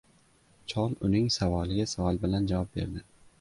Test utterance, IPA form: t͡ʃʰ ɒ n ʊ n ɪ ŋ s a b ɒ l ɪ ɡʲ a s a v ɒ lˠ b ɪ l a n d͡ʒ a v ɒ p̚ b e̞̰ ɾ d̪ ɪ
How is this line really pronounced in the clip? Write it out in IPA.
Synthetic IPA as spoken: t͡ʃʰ ɒ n ʊ n ɪ ŋ s a v ɒ l ɪ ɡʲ a s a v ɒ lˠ b ɪ l a n d͡ʒ a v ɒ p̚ b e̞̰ ɾ d̪ ɪ